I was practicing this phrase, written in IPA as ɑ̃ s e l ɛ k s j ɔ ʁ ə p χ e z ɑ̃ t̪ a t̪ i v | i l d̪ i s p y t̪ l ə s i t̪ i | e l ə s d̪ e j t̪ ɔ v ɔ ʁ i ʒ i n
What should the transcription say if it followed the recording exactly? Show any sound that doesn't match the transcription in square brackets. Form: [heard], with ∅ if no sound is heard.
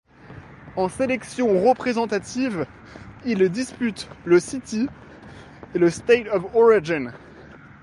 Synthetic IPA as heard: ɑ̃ s e l ɛ k s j [ɔ̃] ʁ ə p χ e z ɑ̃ t̪ a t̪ i v | i l d̪ i s p y t̪ l ə s i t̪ i | e l ə s [t̪] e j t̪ ɔ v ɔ ʁ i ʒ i n